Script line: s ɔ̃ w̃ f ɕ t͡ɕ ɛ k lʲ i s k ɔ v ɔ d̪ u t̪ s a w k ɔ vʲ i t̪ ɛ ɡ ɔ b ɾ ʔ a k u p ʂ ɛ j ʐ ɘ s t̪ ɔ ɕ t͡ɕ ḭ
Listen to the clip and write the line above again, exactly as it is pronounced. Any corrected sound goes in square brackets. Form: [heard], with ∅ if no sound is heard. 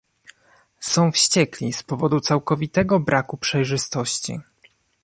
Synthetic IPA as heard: s ɔ̃ w̃ f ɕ t͡ɕ ɛ k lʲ i s [p] ɔ v ɔ d̪ u t̪ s a w k ɔ vʲ i t̪ ɛ ɡ ɔ b ɾ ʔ a k u p ʂ ɛ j ʐ ɘ s t̪ ɔ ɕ t͡ɕ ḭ